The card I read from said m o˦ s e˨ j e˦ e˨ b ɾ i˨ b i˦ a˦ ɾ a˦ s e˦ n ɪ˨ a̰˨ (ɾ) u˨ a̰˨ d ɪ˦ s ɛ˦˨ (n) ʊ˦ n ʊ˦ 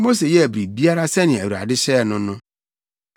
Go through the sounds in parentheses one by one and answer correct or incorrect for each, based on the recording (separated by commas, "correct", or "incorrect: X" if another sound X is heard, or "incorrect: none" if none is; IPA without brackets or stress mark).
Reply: correct, correct